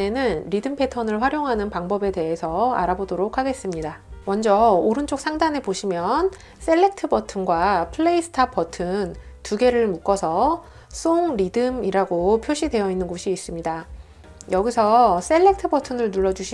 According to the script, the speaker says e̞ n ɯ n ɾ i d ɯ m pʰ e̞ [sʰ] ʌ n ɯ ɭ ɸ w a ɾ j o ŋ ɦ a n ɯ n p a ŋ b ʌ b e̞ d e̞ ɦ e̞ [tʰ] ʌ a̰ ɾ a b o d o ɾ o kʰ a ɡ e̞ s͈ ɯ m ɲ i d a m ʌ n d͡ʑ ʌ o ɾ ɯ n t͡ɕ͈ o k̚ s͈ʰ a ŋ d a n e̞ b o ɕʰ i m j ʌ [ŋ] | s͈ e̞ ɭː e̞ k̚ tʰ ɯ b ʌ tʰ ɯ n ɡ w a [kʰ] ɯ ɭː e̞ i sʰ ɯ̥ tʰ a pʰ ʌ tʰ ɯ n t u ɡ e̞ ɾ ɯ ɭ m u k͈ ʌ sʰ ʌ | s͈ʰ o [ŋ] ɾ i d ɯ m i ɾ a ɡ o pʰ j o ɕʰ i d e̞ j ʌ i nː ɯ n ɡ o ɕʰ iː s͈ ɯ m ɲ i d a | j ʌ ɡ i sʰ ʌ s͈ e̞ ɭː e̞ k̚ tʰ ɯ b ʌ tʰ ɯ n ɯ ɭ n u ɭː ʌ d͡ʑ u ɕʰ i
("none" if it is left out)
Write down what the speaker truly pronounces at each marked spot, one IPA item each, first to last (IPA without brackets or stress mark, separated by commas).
tʰ, sʰ, n, pʰ, ŋ